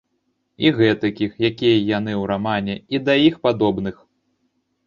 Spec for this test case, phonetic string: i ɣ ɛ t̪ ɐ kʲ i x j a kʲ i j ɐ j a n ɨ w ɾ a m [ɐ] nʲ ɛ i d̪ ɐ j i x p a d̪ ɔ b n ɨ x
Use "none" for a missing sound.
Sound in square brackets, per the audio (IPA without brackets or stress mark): a